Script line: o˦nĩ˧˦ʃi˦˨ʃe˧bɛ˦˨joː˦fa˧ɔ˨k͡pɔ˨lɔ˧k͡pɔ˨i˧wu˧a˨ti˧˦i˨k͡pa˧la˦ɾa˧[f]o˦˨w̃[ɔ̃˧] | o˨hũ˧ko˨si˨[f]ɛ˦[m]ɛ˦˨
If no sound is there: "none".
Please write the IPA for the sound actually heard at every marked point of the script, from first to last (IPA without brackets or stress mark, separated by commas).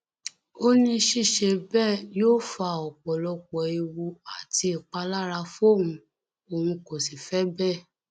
f, ũ˧, f, b